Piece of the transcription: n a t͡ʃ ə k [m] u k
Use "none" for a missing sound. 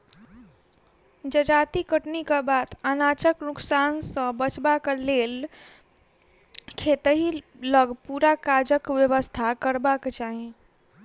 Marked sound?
n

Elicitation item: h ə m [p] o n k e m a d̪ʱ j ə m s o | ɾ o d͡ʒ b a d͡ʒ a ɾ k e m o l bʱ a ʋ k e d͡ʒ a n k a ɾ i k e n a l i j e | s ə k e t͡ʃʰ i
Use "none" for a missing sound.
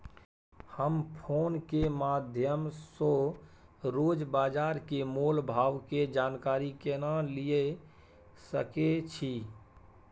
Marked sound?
pʰ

